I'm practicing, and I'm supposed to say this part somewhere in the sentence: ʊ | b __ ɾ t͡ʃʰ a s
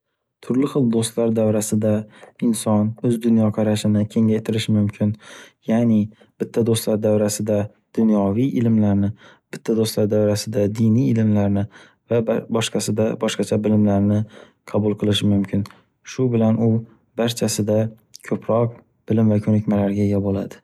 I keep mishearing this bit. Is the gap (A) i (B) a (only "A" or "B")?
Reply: B